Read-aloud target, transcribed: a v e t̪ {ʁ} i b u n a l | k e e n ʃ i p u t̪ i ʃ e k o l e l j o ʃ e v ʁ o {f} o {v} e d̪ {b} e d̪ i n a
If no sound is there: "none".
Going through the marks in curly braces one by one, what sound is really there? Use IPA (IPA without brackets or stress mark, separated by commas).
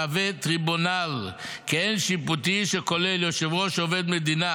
ʁ, ʃ, v, m